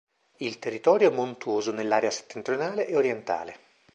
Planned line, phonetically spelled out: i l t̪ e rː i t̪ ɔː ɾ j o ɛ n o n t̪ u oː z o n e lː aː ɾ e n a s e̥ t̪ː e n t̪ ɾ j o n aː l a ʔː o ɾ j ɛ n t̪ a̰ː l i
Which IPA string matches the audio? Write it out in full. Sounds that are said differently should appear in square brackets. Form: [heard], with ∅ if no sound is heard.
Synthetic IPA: i l t̪ e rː i t̪ ɔː ɾ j o ɛ [m] o n t̪ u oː z o n e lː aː ɾ e [∅] a s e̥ t̪ː e n t̪ ɾ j o n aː l [e] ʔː o ɾ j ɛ n t̪ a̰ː l [e]